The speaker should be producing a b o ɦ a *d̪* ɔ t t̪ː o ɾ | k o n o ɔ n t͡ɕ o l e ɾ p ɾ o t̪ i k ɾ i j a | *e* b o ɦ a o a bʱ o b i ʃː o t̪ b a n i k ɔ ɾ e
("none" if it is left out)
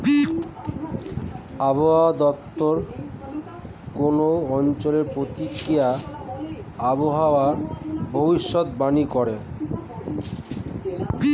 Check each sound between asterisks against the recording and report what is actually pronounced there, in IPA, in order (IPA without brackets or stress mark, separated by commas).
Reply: d̪, a